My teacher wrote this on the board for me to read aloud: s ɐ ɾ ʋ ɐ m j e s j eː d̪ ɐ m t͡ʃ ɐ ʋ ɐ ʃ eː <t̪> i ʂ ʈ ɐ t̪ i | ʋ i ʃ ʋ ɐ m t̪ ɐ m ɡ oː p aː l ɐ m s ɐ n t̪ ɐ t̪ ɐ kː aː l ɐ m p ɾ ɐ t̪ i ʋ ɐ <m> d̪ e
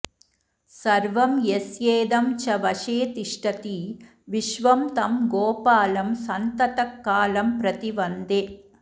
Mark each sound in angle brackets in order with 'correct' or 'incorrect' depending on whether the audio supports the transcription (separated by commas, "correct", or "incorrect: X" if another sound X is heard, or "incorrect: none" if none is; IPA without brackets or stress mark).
correct, incorrect: n